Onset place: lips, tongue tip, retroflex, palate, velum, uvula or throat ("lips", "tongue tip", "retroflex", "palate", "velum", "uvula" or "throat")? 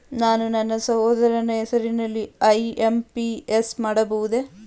tongue tip